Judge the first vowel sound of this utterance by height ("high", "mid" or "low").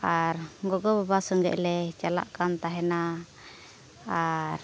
low